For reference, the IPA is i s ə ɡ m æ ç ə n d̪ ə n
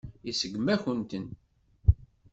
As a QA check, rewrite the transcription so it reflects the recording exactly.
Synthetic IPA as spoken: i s ə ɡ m æ ç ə n t̪ ə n